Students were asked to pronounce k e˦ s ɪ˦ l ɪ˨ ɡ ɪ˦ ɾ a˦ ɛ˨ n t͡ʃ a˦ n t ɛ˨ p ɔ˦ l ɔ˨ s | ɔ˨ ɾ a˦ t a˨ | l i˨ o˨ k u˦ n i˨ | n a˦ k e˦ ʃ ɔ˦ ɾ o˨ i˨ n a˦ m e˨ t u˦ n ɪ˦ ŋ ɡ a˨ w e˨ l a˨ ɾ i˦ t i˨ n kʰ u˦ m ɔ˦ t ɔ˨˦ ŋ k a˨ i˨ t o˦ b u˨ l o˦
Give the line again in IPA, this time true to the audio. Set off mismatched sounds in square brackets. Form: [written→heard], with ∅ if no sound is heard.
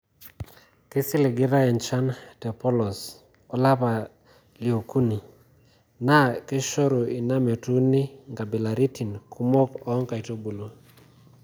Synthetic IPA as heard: k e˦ s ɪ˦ l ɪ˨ ɡ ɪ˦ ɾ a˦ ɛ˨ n t͡ʃ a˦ n t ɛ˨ p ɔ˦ l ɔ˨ s | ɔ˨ [ɾ→l] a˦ [t→p] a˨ | l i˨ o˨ k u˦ n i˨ | n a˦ k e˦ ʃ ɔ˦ ɾ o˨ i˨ n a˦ m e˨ t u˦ n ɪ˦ ŋ ɡ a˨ [w→b] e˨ l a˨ ɾ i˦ t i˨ n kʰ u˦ m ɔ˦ [t→k] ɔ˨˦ ŋ k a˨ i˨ t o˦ b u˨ l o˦

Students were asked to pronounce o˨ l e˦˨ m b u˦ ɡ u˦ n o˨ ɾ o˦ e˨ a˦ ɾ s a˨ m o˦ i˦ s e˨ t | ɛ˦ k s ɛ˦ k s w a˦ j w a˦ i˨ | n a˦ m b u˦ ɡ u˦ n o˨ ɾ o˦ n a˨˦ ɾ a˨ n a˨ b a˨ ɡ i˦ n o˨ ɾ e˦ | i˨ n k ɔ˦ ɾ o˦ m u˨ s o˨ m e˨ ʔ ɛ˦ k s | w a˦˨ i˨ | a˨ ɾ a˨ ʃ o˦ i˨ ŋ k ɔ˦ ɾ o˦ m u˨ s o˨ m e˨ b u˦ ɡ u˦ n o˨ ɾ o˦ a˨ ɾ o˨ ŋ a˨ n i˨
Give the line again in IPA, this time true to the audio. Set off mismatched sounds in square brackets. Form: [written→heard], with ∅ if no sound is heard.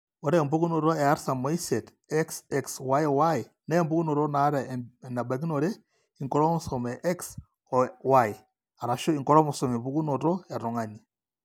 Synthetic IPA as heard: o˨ [l→ɾ] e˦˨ m b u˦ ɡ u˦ n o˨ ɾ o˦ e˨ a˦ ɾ s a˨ m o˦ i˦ s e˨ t | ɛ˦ k s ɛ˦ k s w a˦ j w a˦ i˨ | n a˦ m b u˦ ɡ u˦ n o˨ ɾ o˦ n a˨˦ ɾ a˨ n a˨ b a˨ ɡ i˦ n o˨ ɾ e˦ | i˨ [n→ŋ] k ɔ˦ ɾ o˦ m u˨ s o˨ m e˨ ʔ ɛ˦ k s | w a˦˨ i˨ | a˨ ɾ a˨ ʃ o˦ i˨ ŋ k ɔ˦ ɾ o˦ m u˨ s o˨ m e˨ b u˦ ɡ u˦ n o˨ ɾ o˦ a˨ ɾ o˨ ŋ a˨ n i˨

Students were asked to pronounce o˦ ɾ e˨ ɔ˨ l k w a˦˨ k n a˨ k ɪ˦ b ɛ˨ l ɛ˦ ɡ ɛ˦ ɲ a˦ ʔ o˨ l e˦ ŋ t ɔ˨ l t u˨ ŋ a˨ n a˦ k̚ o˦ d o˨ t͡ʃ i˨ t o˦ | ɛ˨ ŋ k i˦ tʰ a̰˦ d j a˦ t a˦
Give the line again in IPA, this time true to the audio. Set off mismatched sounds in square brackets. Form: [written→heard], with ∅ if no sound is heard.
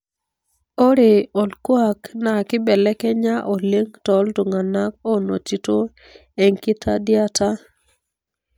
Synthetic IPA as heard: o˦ ɾ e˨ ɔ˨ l k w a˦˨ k n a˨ k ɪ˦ b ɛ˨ l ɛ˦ [ɡ→k] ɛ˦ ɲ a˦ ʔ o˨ l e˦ ŋ t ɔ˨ l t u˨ ŋ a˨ n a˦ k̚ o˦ [d→n] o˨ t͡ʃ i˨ t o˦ | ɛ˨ ŋ k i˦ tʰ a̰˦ d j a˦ t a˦

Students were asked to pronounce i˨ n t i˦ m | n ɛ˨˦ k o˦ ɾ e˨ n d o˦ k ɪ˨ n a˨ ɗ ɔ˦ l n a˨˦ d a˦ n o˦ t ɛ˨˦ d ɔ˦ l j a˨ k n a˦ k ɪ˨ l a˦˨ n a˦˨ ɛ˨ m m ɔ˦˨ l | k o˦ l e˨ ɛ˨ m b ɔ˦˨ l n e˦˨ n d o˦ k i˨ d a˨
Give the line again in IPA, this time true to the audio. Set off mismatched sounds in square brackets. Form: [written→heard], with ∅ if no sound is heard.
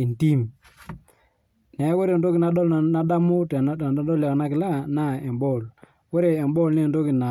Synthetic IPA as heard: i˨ n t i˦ m | n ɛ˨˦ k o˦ ɾ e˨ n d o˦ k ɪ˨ n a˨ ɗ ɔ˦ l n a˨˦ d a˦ [n→m] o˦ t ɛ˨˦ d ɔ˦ l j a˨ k n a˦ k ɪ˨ l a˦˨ n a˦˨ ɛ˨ m [m→b] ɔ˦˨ l | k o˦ [l→ɾ] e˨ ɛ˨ m b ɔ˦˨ l n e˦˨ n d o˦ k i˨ [d→n] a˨

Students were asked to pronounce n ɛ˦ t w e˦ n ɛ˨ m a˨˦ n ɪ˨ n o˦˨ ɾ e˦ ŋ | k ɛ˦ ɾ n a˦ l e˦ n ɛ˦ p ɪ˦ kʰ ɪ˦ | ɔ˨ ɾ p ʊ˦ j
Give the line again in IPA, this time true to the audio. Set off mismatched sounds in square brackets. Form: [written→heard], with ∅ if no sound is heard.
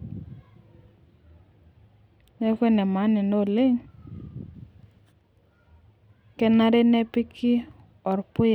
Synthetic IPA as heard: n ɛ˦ [t→k] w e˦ n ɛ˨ m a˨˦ n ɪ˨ n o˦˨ [ɾ→l] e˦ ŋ | k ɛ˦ [ɾ→∅] n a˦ [l→ɾ] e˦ n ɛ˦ p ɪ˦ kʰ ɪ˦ | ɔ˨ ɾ p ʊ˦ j

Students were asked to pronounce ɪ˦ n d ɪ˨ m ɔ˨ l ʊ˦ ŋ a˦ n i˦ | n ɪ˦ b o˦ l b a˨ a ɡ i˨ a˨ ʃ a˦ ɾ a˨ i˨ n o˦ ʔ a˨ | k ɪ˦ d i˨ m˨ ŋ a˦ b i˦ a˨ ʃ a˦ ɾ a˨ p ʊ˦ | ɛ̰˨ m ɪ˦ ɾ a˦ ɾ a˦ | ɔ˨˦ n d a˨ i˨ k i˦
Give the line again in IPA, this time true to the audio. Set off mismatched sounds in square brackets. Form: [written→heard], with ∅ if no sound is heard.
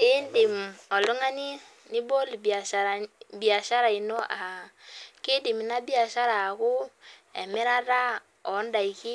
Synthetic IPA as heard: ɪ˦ n d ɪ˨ m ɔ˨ l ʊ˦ ŋ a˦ n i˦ | n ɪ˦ b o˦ l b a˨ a [ɡ→b] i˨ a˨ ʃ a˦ ɾ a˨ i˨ n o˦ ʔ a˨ | k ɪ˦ d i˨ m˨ [ŋ→n] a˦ b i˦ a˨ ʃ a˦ ɾ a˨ [p→k] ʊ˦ | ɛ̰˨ m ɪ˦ ɾ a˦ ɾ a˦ | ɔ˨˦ n d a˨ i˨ k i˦

